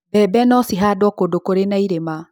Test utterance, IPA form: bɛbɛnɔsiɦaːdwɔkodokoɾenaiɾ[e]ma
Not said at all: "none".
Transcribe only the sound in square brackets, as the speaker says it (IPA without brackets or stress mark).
e